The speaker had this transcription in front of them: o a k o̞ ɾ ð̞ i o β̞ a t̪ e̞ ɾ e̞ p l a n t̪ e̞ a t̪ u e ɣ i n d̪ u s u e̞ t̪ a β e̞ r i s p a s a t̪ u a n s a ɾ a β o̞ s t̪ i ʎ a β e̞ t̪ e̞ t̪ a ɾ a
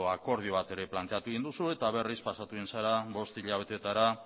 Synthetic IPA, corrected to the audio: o a k o̞ ɾ ð̞ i o β̞ a t̪ e̞ ɾ e̞ p l a n t̪ e̞ a t̪ u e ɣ i n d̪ u s u e̞ t̪ a β e̞ r i s p a s a t̪ u i n s a ɾ a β o̞ s t̪ i ʎ a β e̞ t̪ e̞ t̪ a ɾ a